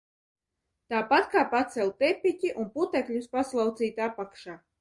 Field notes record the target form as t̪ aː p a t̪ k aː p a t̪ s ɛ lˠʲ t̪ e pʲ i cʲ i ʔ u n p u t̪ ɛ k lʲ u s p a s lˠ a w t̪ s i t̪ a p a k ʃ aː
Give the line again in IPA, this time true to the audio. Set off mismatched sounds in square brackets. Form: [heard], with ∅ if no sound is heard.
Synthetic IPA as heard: t̪ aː p a t̪ k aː p a t̪ s ɛ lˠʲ t̪ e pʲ i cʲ i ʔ u n p u t̪ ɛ k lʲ u s p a s lˠ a w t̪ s [iː] t̪ a p a k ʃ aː